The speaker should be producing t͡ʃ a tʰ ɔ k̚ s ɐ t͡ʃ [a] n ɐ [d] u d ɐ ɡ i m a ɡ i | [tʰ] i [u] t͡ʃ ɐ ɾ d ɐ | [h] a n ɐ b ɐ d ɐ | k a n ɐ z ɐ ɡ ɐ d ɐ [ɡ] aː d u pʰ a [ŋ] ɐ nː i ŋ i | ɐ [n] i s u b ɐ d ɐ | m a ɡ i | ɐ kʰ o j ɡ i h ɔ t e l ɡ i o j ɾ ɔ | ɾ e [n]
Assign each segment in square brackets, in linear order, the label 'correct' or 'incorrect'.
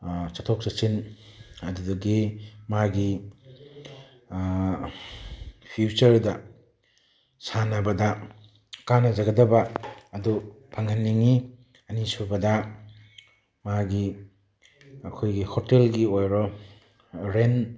incorrect: i, correct, incorrect: pʰ, correct, incorrect: s, incorrect: b, correct, correct, correct

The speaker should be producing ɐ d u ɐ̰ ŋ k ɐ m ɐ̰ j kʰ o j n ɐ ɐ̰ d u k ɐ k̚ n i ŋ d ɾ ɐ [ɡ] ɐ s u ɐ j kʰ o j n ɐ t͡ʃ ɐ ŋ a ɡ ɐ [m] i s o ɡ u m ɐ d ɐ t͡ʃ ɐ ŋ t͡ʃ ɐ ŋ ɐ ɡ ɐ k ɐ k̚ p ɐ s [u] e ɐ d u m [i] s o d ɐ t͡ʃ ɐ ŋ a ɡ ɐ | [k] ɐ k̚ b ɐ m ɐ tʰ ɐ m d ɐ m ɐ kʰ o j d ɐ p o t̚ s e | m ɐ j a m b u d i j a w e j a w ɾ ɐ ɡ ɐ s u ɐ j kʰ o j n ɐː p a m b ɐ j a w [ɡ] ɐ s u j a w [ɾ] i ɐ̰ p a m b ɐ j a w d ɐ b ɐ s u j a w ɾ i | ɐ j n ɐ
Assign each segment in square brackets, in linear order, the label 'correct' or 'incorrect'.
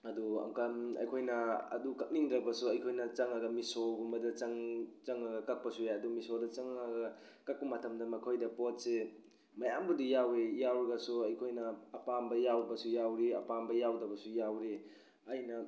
incorrect: b, correct, correct, correct, correct, incorrect: b, correct

